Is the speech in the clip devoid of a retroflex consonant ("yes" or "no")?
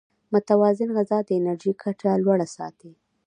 no